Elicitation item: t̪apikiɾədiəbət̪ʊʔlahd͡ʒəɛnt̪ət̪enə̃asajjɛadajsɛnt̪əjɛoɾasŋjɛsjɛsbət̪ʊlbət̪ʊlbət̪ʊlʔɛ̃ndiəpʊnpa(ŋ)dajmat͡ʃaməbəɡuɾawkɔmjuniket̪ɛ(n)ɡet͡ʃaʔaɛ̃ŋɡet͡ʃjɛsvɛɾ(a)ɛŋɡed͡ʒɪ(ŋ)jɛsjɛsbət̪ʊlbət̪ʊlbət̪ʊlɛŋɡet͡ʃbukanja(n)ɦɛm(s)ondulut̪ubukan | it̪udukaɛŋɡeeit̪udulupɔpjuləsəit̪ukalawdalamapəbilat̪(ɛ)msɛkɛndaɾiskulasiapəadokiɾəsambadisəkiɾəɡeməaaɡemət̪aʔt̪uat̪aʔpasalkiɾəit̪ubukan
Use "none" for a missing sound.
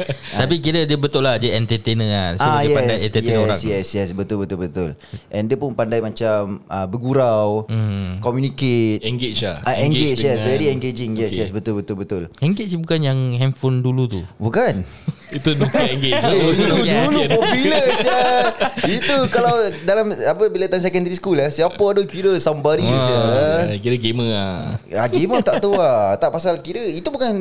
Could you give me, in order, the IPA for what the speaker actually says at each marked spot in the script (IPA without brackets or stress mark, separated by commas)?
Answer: n, ŋ, i, ŋ, ŋ, f, a